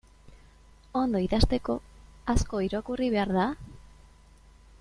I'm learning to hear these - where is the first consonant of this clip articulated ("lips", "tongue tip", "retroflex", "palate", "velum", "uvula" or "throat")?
tongue tip